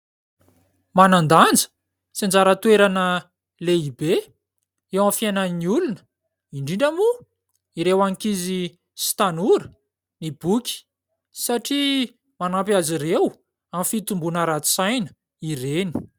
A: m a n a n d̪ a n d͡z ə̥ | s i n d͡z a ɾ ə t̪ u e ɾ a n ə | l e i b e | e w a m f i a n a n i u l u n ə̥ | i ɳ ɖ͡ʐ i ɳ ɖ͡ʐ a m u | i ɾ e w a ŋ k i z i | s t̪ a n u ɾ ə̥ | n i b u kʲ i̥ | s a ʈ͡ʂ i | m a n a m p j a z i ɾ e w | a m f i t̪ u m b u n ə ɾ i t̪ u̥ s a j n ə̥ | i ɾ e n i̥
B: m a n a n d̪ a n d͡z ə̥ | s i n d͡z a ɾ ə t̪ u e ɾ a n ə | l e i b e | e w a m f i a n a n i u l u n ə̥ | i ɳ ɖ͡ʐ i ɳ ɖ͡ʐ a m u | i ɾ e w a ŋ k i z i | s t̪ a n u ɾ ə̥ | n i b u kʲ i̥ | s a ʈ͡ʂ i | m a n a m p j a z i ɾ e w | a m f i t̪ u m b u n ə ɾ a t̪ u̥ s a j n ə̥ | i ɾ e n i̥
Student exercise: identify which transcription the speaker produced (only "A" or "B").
B